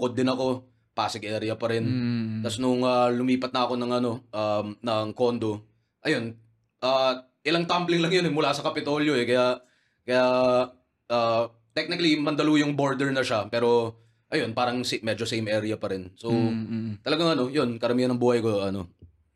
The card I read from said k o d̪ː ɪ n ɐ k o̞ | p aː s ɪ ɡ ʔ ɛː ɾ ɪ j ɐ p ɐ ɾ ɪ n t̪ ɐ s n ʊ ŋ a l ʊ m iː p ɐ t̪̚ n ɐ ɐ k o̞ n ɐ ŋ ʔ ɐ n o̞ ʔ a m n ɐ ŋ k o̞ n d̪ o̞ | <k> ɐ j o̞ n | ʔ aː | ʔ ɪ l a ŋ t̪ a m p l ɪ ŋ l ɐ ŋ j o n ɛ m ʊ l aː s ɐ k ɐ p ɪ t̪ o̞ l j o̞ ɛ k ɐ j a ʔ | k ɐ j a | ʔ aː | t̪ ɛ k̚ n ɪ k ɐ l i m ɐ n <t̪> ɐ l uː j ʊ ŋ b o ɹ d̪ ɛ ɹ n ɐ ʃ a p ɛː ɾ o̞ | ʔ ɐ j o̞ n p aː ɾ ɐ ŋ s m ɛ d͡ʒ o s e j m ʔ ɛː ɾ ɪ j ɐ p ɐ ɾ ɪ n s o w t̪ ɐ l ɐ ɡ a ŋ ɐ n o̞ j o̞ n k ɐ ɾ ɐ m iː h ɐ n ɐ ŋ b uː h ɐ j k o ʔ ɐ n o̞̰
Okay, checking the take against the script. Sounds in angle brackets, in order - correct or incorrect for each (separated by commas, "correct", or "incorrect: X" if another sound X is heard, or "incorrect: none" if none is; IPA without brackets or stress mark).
incorrect: ʔ, incorrect: d̪